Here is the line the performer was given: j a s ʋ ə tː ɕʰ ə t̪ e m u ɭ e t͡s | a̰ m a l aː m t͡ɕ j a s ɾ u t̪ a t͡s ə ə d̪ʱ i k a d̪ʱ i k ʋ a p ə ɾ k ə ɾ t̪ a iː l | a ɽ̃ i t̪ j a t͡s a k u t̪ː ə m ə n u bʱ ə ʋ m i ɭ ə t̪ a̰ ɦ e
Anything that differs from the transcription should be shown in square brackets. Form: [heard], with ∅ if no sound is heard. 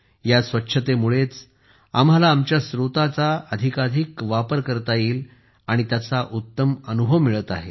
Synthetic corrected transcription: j a s ʋ ə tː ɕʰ ə t̪ e m u ɭ e t͡s | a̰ m a l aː m t͡ɕ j a s ɾ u t̪ a t͡s [a] ə d̪ʱ i k a d̪ʱ i k ʋ a p ə ɾ k ə ɾ t̪ a iː l | a ɽ̃ i t̪ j a t͡s a [ʔ] u t̪ː ə m ə n u bʱ ə ʋ m i ɭ ə t̪ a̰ ɦ e